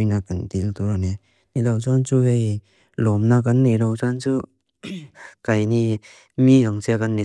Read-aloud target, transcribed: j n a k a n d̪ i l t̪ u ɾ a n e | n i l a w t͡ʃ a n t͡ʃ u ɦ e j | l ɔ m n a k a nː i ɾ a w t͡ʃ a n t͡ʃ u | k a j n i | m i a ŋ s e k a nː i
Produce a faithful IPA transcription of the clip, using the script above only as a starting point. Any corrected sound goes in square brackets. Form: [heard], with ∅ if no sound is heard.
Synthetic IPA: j n a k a n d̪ i l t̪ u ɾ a n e | n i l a w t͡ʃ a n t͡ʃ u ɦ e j | l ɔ m n a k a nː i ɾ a w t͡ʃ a n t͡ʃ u | k a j n i | m i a ŋ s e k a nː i